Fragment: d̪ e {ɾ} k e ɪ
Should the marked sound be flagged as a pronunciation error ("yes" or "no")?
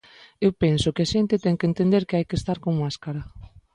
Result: no